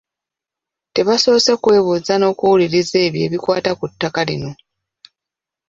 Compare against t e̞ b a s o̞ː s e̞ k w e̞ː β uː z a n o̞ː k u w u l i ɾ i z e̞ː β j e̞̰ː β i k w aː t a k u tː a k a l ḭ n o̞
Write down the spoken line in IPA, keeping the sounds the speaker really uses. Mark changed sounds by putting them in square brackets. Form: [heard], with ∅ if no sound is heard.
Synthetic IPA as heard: t e̞ [β] a s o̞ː s e̞ k w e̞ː β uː z a n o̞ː k u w u l i ɾ i z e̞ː β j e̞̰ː β i k w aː t a k u tː a k a l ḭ n o̞